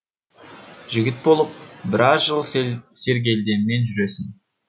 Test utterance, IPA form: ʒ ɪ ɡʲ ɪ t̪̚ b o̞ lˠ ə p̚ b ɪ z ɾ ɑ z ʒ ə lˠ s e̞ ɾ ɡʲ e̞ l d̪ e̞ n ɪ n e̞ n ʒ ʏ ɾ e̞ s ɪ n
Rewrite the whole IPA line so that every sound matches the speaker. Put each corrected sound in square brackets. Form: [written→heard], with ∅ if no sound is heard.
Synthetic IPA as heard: ʒ ɪ ɡʲ ɪ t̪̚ b o̞ lˠ ə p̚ b ɪ [z→∅] ɾ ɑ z ʒ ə lˠ s e̞ ɾ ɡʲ e̞ l d̪ e̞ n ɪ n e̞ n ʒ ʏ ɾ e̞ s ɪ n